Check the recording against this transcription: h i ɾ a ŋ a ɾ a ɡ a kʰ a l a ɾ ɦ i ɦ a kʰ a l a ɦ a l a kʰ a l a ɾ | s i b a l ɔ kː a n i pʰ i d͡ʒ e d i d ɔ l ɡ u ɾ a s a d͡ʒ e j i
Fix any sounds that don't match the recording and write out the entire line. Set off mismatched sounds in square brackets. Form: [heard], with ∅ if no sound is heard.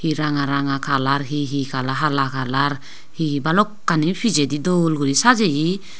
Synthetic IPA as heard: h i ɾ a ŋ a ɾ a [ŋ] a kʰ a l a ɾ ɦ i ɦ [i] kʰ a l a ɦ a l a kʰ a l a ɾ | [h] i b a l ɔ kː a n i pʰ i d͡ʒ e d i d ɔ l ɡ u ɾ [i] s a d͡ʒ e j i